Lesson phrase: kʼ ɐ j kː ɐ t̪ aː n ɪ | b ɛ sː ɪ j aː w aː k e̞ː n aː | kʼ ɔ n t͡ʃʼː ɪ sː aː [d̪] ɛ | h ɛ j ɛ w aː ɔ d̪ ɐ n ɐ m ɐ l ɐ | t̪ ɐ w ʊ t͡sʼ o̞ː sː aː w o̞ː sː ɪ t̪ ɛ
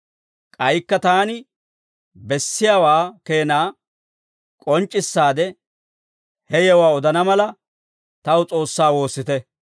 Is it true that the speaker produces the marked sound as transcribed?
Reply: yes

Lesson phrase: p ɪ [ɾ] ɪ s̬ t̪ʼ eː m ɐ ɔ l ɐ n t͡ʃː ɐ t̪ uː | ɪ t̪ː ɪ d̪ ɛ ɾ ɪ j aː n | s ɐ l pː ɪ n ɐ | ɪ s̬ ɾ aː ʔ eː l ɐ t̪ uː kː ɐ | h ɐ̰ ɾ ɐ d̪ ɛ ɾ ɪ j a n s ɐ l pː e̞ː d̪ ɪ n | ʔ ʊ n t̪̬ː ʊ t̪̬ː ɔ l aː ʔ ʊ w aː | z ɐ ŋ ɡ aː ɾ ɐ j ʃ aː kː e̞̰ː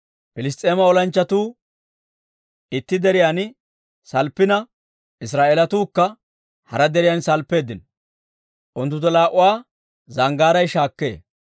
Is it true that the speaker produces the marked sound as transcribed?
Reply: no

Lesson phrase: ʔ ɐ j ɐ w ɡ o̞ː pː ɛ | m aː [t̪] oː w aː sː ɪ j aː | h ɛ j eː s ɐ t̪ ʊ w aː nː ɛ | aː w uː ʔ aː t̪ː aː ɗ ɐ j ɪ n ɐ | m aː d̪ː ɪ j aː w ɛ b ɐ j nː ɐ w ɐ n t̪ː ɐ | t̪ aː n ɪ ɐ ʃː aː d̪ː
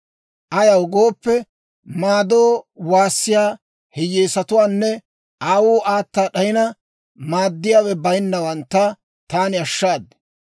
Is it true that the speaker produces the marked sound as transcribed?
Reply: no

